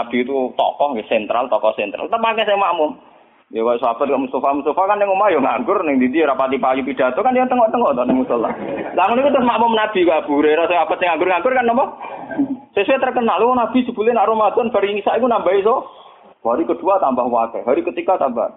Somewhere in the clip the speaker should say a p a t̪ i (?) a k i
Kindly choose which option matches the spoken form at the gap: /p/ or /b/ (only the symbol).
p